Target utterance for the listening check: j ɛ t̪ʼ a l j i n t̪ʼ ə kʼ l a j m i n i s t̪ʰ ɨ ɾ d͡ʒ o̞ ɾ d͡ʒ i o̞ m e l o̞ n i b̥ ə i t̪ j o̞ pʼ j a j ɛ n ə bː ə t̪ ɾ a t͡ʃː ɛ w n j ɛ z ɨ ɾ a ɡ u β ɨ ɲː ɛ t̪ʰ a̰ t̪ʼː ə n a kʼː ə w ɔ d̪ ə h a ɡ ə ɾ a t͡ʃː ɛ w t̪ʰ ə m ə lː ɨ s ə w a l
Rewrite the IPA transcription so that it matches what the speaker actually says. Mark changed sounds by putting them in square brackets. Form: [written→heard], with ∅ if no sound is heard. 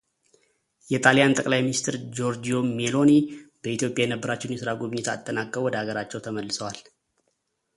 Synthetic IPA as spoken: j ɛ t̪ʼ a l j [i→a] n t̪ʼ ə kʼ l a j m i n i s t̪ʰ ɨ ɾ d͡ʒ o̞ ɾ d͡ʒ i o̞ m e l o̞ n i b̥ ə i t̪ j o̞ pʼ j a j ɛ n ə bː ə [t̪→∅] ɾ a t͡ʃː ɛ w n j ɛ [z→s] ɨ ɾ a ɡ u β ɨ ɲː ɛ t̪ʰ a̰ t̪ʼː ə n a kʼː ə w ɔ d̪ ə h a ɡ ə ɾ a t͡ʃː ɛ w t̪ʰ ə m ə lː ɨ s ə w a l